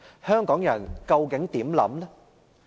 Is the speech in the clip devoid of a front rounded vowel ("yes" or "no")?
no